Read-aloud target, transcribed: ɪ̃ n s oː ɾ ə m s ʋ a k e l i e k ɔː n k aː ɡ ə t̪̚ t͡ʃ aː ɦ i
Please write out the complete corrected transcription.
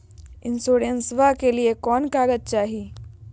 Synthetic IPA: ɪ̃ n s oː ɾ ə n s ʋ a k e l i e k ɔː n k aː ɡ ə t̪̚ t͡ʃ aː ɦ i